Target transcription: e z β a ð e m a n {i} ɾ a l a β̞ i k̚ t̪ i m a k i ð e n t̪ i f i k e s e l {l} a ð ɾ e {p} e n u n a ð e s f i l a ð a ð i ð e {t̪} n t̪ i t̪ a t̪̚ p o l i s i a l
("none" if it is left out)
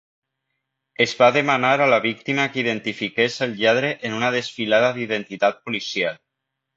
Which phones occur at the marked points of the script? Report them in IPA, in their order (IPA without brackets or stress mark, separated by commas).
a, ʎ, ʔ, none